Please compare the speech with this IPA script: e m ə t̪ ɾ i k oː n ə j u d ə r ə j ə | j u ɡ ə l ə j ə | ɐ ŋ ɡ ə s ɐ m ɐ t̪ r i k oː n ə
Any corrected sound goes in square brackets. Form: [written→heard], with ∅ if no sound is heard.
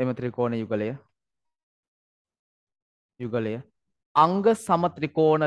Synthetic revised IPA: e m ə t̪ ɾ i k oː n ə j u [d→ɡ] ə [r→l] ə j ə | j u ɡ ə l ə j ə | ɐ ŋ ɡ ə s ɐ m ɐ t̪ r i k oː n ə